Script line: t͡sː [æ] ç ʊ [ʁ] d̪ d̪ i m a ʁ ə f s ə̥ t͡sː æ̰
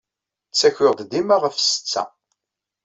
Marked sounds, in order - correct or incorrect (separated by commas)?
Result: correct, correct